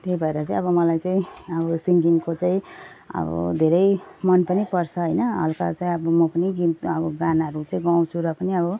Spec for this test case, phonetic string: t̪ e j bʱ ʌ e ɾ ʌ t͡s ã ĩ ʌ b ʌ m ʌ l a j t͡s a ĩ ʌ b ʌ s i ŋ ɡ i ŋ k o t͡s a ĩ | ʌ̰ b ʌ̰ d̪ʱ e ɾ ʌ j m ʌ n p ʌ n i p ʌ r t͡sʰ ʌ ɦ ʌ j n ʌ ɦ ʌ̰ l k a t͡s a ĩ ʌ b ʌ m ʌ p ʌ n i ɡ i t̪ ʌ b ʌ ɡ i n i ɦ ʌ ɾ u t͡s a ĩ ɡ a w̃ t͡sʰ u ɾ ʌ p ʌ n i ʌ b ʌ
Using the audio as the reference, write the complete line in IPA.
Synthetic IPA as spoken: t̪ e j bʱ ʌ e ɾ ʌ t͡s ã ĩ ʌ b ʌ m ʌ l a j t͡s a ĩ ʌ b ʌ s i ŋ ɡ i ŋ k o t͡s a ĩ | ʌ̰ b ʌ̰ d̪ʱ e ɾ ʌ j m ʌ n p ʌ n i p ʌ r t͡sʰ ʌ ɦ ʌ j n ʌ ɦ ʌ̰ l k a t͡s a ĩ ʌ b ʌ m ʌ p ʌ n i ɡ i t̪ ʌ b ʌ ɡ a n a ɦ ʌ ɾ u t͡s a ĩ ɡ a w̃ t͡sʰ u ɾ ʌ p ʌ n i ʌ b ʌ

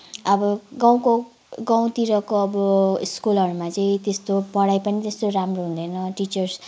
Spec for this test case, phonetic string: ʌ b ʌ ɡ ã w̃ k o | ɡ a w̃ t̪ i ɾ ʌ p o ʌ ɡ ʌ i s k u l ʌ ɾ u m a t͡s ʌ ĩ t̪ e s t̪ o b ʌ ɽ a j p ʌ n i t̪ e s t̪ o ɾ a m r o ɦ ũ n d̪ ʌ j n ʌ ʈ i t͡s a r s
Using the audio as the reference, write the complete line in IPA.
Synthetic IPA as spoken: ʌ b ʌ ɡ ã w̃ k o | ɡ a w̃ t̪ i ɾ ʌ k o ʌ b ʌ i s k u l ʌ ɾ u m a t͡s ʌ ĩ t̪ e s t̪ o p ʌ ɽ a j p ʌ n i t̪ e s t̪ o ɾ a m r o ɦ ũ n d̪ ʌ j n ʌ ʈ i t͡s ʌ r s

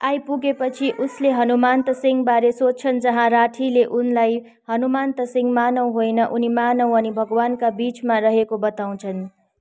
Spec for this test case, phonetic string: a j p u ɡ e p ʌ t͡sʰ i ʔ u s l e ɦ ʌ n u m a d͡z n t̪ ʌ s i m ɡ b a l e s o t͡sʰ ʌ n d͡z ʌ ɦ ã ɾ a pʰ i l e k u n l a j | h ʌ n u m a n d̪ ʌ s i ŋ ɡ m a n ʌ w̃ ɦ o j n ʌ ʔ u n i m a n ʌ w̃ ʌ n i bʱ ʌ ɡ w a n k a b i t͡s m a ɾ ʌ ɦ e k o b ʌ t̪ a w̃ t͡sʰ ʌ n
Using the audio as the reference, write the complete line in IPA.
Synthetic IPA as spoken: a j p u ɡ e p ʌ t͡sʰ i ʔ u s l e ɦ ʌ n u m a n t̪ ʌ s i ŋ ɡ b a ɾ e s o t͡sʰ ʌ n d͡z ʌ ɦ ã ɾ a ʈʰ i l e ʔ u n l a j | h ʌ n u m a n t̪ ʌ s i ŋ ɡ m a n ʌ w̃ ɦ o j n ʌ ʔ u n i m a n ʌ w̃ ʌ n i bʱ ʌ ɡ w a n k a b i t͡s m a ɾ ʌ ɦ e k o b ʌ t̪ a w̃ t͡sʰ ʌ n

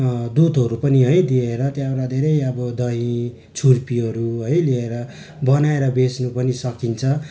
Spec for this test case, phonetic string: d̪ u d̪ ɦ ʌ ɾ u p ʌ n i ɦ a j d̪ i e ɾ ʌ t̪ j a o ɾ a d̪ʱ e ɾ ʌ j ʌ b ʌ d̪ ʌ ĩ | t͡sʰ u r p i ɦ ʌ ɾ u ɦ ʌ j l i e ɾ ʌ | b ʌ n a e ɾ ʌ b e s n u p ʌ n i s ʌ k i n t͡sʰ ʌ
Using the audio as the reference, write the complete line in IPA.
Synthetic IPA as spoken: d̪ u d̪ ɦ ʌ ɾ u p ʌ n i ɦ ʌ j d̪ i e ɾ ʌ t̪ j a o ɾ a d̪ʱ e ɾ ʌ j ʌ b ʌ d̪ ʌ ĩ | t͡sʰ u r p i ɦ ʌ ɾ u ɦ ʌ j l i e ɾ ʌ | b ʌ n a e ɾ ʌ b e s n u p ʌ n i s ʌ k i n t͡sʰ ʌ

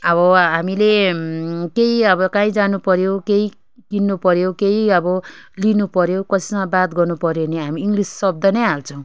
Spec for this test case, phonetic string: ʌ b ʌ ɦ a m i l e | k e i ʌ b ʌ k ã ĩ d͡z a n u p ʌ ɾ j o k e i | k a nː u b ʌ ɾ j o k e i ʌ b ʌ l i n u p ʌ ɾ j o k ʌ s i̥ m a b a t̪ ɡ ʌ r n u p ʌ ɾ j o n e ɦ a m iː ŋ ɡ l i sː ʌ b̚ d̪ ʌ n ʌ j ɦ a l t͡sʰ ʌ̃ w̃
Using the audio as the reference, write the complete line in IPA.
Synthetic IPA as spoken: ʌ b ʌ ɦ a m i l e | k e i ʌ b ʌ k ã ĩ d͡z a n u p ʌ ɾ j o k e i | k i nː u p ʌ ɾ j o k e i ʌ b ʌ l i n u p ʌ ɾ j o k ʌ s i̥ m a b a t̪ ɡ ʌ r n u p ʌ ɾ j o n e ɦ a m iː ŋ ɡ l i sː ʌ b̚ d̪ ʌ n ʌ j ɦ a l t͡sʰ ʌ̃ w̃

